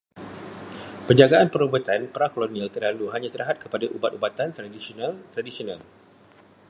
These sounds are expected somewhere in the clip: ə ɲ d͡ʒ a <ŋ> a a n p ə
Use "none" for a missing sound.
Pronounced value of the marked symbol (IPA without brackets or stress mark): ɡ